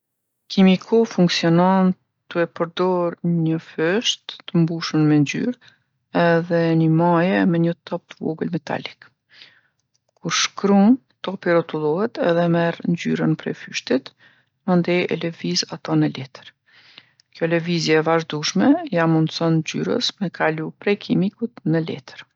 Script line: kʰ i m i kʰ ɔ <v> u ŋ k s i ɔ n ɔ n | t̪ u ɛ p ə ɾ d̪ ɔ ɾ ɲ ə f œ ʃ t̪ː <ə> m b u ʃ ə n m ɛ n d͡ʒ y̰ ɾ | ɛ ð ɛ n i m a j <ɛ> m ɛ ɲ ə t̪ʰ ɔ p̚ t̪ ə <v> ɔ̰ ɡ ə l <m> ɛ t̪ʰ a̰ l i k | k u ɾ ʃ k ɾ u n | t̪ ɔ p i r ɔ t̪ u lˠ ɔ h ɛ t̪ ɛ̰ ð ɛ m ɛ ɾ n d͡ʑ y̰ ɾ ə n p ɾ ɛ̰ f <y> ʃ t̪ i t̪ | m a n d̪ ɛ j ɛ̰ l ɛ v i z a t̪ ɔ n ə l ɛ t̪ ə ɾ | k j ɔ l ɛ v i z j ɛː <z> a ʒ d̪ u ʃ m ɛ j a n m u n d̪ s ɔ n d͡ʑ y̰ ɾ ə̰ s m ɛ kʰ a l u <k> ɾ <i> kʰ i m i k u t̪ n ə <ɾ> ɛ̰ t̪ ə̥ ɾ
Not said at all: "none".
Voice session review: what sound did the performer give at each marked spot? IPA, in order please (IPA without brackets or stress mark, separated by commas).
f, ə, ɛ, v, m, y, v, p, ɛ, l